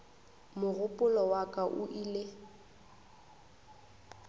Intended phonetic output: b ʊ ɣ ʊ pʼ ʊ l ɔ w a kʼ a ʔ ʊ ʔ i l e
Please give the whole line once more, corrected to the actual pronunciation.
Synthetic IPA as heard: m ʊ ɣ ʊ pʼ ʊ l ɔ w a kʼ a ʔ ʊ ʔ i l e